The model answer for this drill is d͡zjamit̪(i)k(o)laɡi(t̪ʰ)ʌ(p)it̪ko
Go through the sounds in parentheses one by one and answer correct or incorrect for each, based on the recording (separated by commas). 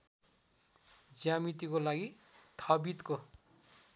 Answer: correct, correct, correct, incorrect